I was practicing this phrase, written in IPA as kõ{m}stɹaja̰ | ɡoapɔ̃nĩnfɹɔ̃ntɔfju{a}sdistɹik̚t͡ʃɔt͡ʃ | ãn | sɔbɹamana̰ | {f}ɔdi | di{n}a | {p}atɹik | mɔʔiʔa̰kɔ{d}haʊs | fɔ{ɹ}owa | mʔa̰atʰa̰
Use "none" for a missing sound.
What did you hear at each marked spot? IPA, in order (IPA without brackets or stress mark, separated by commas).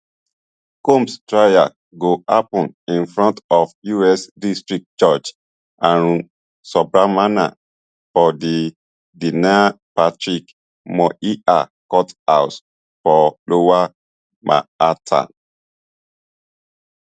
m, ɛ, f, n, p, t, l